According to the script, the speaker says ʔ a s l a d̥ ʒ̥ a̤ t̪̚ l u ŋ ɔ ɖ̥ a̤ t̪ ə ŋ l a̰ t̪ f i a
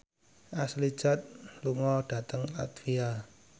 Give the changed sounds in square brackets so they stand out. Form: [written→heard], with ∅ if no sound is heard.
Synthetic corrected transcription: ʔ a s l [a→i] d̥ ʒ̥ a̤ t̪̚ l u ŋ ɔ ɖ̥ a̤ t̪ ə ŋ l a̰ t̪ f i a

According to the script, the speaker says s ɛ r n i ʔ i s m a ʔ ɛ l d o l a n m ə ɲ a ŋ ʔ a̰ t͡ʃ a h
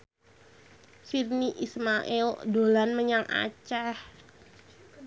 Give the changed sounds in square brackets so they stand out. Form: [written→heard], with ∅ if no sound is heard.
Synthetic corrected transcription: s [ɛ→i] r n i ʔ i s m a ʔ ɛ l d o l a n m ə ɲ a ŋ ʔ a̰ t͡ʃ a h

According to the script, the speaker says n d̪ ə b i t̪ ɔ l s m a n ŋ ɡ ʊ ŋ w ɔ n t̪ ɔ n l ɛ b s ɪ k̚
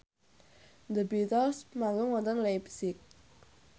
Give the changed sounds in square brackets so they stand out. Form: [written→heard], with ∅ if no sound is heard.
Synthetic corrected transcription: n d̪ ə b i t̪ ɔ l s m a [n→∅] ŋ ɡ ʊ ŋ w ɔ n t̪ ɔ n l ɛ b s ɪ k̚

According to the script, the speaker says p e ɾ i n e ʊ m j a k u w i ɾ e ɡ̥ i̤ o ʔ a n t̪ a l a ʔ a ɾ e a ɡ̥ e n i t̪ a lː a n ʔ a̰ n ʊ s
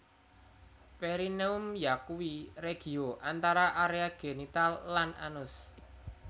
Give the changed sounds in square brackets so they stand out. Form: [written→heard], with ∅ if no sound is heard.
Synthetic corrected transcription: p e ɾ i n e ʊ m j a k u w i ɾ e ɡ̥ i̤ o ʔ a n t̪ a [l→ɾ] a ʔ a ɾ e a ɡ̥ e n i t̪ a lː a n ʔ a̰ n ʊ s

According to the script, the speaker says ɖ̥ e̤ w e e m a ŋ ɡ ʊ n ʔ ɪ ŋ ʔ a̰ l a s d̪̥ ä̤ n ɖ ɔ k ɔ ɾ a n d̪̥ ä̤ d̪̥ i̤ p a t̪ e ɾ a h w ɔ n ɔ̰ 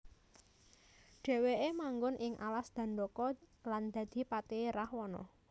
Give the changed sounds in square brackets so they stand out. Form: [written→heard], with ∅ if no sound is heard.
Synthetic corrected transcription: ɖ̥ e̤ w e e m a ŋ ɡ ʊ n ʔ ɪ ŋ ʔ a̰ l a s d̪̥ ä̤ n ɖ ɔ k ɔ [ɾ→l] a n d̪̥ ä̤ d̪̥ i̤ p a t̪ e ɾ a h w ɔ n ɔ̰

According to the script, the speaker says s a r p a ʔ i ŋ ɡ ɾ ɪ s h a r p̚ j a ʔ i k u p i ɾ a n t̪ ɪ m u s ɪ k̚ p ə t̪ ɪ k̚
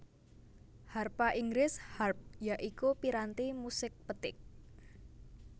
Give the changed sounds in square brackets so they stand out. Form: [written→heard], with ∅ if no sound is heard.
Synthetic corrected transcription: [s→h] a r p a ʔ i ŋ ɡ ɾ ɪ s h a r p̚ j a ʔ i k u p i ɾ a n t̪ [ɪ→i] m u s ɪ k̚ p ə t̪ ɪ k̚

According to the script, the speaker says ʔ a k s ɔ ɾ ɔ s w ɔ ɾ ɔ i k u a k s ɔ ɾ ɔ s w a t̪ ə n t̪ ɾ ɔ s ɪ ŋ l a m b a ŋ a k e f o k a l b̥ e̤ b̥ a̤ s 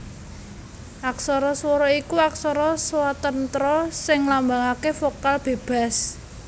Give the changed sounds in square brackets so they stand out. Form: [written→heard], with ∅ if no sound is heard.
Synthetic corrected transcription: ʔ a k s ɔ ɾ ɔ s w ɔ ɾ ɔ i k u a k s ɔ ɾ ɔ s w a t̪ ə n t̪ ɾ ɔ s ɪ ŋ l a m b a ŋ a k e f o k a l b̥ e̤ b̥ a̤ s

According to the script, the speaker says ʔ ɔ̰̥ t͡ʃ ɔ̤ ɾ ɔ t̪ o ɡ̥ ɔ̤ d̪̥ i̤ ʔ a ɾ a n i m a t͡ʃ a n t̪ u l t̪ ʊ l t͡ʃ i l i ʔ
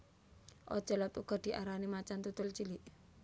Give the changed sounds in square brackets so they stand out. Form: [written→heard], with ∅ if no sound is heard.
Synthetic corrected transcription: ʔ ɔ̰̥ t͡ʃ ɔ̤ [ɾ→l] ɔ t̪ [o→u] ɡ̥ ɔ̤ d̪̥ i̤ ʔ a ɾ a n i m a t͡ʃ a n t̪ u [l→∅] t̪ ʊ l t͡ʃ i l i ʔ

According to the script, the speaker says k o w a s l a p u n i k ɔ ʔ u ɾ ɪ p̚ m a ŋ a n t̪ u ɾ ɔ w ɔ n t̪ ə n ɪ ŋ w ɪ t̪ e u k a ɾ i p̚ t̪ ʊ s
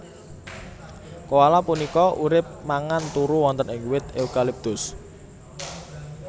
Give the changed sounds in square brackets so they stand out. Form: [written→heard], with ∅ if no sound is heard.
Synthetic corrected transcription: k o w a [s→∅] l a p u n i k ɔ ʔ u ɾ ɪ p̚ m a ŋ a n t̪ u ɾ [ɔ→u] w ɔ n t̪ ə n ɪ ŋ w ɪ t̪ e u k a [ɾ→l] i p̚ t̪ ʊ s

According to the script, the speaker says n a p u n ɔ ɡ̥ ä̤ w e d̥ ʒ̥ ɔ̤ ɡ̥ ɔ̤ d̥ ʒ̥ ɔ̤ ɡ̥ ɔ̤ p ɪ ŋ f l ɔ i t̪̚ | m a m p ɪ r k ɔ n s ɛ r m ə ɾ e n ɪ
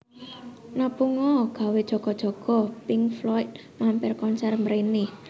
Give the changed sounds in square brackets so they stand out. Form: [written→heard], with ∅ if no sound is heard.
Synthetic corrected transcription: n a p u [n→ŋ] ɔ ɡ̥ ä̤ w e d̥ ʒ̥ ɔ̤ ɡ̥ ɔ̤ d̥ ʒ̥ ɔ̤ ɡ̥ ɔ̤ p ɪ ŋ f l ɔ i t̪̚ | m a m p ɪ r k ɔ n s ɛ r m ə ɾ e n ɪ

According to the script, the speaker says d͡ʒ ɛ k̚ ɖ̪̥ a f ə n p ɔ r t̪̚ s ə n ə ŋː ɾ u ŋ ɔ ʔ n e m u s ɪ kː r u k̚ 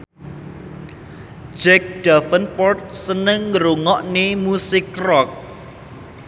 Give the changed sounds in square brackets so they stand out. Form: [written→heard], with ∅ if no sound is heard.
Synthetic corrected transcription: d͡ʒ ɛ k̚ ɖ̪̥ a f ə n p ɔ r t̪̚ s ə n ə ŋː ɾ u ŋ ɔ ʔ n e m u s ɪ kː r [u→ɔ] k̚

